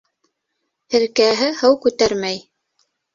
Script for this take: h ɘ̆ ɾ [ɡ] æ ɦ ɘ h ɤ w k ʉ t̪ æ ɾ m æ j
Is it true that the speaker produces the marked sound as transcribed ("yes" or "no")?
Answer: no